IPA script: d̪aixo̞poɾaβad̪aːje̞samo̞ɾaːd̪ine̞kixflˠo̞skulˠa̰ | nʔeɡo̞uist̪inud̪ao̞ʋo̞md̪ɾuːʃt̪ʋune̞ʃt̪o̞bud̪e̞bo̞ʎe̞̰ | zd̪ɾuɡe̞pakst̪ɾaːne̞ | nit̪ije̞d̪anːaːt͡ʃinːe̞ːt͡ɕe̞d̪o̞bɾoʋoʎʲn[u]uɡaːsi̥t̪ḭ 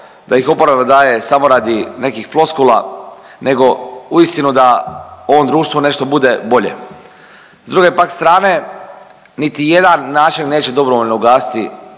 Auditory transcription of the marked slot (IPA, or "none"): o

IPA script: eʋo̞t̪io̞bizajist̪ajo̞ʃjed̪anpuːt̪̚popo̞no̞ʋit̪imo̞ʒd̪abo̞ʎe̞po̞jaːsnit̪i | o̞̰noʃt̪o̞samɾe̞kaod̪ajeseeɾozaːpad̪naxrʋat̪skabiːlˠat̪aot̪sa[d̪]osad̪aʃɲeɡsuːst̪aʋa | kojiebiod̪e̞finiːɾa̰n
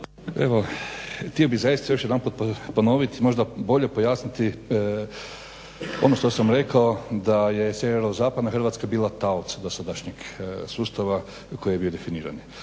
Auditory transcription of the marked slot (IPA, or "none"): d̪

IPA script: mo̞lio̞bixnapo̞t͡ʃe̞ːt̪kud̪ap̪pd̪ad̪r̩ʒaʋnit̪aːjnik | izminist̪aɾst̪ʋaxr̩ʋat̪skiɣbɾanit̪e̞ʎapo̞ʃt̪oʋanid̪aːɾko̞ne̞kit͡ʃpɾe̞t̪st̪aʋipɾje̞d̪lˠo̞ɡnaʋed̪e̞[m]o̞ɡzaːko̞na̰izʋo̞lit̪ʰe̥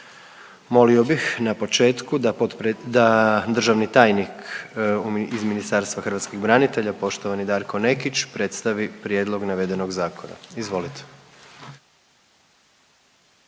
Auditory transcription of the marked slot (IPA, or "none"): n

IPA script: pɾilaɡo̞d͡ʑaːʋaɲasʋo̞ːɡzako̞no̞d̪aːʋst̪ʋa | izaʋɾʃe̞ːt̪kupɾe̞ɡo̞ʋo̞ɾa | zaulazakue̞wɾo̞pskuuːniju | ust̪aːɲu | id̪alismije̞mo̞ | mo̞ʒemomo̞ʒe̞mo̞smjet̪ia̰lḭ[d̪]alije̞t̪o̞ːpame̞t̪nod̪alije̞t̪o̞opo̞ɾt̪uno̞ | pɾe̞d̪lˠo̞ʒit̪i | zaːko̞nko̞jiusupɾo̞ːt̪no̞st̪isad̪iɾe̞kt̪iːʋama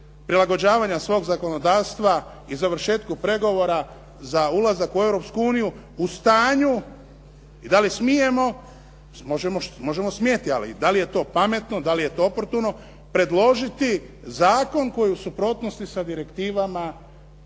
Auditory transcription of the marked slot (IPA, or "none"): d̪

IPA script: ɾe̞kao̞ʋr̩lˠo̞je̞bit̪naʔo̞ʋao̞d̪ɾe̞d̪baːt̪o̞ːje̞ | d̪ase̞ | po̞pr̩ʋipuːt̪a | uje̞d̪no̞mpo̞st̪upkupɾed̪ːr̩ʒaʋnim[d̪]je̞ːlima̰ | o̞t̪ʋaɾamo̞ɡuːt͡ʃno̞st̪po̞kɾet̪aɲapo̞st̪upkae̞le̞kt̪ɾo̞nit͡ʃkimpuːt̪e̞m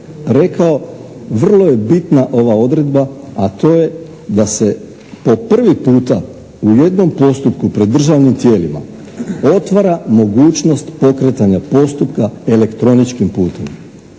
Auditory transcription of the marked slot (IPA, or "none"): t̪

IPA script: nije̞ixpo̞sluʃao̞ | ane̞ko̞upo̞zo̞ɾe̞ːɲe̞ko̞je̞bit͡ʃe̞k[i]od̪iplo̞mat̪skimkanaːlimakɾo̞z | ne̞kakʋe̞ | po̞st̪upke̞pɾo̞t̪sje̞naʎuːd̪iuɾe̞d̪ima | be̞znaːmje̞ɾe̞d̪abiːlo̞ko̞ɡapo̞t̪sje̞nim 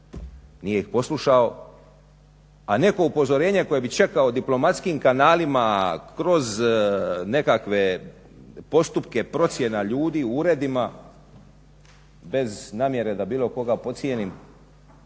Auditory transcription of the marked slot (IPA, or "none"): a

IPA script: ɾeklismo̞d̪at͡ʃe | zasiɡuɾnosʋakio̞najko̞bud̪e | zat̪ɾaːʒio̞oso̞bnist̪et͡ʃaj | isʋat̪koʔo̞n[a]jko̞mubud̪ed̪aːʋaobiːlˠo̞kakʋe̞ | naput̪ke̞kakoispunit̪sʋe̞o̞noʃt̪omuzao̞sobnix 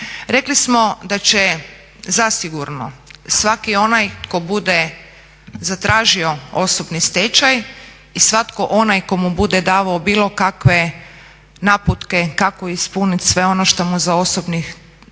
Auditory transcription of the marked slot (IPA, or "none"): a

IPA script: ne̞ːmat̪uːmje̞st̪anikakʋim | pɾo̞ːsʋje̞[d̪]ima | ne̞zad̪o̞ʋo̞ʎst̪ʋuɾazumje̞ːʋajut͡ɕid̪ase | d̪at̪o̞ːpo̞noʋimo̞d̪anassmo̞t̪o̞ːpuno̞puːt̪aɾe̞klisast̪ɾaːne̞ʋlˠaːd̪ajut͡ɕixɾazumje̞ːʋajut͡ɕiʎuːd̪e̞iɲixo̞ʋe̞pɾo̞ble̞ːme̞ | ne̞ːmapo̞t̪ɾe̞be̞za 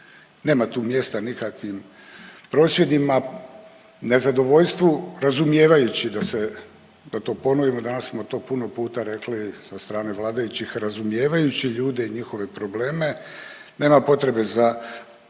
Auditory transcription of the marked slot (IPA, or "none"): d̪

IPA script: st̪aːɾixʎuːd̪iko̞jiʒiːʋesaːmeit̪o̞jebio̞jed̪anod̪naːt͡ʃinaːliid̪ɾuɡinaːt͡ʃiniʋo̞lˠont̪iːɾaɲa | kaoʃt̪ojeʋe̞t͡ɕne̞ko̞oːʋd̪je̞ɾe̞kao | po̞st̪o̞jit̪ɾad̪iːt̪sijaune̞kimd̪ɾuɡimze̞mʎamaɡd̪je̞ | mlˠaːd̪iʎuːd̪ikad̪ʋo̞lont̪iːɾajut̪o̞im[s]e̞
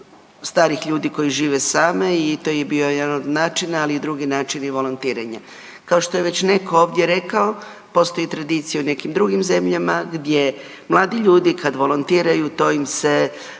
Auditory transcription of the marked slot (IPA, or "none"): s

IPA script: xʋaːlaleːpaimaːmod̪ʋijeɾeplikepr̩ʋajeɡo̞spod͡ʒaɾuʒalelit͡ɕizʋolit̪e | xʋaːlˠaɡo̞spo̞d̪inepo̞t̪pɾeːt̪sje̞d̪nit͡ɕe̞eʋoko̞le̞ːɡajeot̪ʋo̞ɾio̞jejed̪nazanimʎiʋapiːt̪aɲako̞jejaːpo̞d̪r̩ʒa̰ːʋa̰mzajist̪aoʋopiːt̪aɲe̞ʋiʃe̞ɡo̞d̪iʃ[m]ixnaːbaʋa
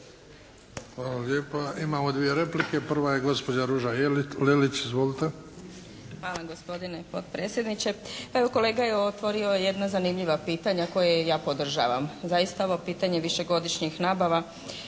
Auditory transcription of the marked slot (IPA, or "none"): ɲ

